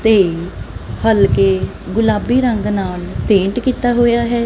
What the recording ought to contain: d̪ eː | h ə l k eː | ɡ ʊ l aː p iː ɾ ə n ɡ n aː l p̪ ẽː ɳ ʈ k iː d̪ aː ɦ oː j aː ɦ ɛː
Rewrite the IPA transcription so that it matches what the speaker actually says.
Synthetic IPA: t̪ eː | h ə l k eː | ɡ ʊ l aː b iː ɾ ə ŋ ɡ n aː l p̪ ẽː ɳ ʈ k iː t̪ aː ɦ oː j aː ɦ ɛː